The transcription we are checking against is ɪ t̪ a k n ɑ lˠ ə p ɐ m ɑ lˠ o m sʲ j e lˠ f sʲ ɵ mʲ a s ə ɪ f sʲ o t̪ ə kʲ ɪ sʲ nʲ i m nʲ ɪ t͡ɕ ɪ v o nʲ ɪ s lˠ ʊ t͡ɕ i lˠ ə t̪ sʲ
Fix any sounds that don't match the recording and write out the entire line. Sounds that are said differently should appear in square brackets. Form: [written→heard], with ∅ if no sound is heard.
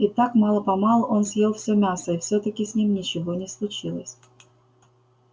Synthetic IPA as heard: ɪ t̪ a k [n→m] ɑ lˠ ə p ɐ m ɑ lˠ o [m→n] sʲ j e lˠ f sʲ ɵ mʲ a s ə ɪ f sʲ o t̪ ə kʲ ɪ sʲ nʲ i m nʲ ɪ t͡ɕ ɪ v o nʲ ɪ s lˠ ʊ t͡ɕ i lˠ ə [t̪→∅] sʲ

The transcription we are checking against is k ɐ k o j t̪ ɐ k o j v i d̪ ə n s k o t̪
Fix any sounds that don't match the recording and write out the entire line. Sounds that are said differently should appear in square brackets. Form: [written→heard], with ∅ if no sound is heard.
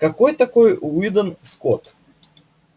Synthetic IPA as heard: k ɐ k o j t̪ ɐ k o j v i d̪ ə n s k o t̪

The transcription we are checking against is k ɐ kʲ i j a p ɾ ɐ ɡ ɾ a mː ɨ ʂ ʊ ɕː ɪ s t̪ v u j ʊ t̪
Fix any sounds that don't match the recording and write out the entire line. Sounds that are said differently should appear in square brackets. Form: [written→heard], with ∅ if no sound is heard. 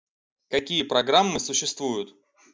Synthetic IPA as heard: k ɐ kʲ i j [a→ə] p ɾ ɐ ɡ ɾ a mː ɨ [ʂ→s] ʊ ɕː ɪ s t̪ v u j ʊ t̪

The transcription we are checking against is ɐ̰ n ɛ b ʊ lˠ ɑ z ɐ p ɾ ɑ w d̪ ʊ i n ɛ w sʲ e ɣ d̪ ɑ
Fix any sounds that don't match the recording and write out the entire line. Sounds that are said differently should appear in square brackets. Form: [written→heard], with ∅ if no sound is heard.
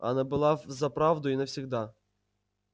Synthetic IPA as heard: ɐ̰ n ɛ b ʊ lˠ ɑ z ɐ p ɾ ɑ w d̪ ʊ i n ɛ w sʲ [e→i] ɣ d̪ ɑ

